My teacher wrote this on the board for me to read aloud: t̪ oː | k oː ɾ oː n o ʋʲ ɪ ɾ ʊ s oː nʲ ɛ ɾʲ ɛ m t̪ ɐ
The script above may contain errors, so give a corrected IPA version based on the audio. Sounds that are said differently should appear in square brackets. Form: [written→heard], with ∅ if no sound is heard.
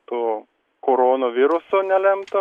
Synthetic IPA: t̪ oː | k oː ɾ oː n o ʋʲ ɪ ɾ ʊ s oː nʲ ɛ [ɾʲ→lʲ] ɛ m t̪ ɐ